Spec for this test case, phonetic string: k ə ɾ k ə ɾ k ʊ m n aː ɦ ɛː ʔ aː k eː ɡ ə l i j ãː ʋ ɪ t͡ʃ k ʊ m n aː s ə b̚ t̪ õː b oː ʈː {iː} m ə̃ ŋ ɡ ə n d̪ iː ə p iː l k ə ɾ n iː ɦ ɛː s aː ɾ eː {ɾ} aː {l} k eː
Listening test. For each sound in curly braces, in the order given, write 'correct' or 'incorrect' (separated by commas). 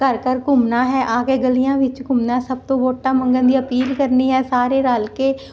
incorrect, correct, correct